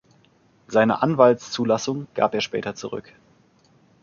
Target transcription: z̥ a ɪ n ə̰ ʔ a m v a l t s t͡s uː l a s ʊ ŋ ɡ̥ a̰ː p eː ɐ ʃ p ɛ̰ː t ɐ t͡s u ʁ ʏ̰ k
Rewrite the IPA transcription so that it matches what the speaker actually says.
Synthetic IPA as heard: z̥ a ɪ n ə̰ ʔ a n v a l t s t͡s uː l a s ʊ ŋ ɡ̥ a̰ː p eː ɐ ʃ p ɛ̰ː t ɐ t͡s u ʁ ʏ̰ k